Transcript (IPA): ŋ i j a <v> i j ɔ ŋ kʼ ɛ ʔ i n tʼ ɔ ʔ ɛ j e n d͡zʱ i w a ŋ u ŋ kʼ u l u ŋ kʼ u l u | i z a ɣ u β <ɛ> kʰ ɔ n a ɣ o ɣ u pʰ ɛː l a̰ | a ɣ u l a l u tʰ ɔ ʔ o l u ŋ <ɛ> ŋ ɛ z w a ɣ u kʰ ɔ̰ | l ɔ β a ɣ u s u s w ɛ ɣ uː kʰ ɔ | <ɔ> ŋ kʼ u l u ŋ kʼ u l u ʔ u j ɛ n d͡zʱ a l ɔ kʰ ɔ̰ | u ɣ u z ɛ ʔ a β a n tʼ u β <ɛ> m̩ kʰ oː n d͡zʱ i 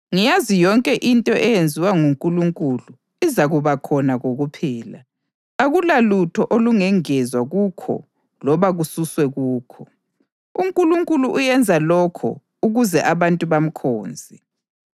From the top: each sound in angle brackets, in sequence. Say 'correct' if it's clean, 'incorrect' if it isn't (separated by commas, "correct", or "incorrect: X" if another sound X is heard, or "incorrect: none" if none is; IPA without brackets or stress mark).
incorrect: z, incorrect: a, correct, incorrect: u, incorrect: a